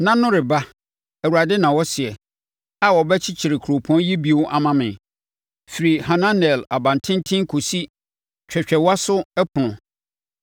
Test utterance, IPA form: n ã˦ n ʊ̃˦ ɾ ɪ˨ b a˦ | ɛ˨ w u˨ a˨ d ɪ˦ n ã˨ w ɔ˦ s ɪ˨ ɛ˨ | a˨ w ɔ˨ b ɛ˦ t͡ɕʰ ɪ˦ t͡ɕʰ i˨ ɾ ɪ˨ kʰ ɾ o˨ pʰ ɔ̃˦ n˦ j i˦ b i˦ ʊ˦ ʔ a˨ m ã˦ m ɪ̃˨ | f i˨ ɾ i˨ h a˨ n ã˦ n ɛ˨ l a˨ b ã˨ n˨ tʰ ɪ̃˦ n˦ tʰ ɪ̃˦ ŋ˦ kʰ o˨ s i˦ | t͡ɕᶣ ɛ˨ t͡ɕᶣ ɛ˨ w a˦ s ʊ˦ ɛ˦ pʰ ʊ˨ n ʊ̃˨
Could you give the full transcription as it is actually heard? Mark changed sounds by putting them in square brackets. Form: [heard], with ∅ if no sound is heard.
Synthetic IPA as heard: n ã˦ n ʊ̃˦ ɾ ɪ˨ b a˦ | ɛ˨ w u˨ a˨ d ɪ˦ n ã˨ w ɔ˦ s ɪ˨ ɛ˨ | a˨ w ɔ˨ b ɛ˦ t͡ɕʰ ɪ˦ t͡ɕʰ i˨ ɾ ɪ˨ kʰ ɾ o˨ pʰ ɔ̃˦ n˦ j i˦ b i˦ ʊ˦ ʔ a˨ m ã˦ m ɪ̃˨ | f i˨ ɾ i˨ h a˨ n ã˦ n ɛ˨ l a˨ b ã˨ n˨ tʰ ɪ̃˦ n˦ tʰ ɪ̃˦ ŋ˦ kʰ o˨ s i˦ | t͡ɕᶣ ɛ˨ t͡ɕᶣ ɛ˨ w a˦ s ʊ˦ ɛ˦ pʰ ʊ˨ n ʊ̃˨